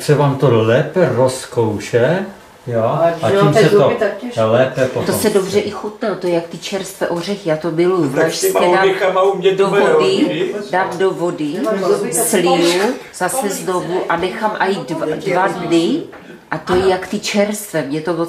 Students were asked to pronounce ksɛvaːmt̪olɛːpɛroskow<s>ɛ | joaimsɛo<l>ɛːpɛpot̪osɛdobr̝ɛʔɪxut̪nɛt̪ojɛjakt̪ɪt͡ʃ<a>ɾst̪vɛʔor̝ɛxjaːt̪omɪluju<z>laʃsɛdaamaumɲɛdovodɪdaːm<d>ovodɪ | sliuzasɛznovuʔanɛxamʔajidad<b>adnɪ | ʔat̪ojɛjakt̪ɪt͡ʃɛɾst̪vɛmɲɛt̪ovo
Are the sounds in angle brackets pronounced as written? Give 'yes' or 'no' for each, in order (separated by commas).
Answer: no, yes, no, no, yes, no